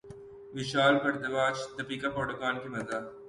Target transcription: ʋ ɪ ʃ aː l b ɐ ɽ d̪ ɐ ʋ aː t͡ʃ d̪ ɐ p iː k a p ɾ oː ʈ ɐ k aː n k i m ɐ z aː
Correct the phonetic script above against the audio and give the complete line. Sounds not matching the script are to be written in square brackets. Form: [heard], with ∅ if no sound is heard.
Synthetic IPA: ʋ ɪ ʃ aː l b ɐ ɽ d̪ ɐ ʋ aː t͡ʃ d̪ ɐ p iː k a p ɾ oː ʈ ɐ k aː n k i m ɐ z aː